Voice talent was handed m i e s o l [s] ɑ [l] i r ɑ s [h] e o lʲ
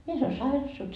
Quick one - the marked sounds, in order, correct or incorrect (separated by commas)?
correct, incorrect, incorrect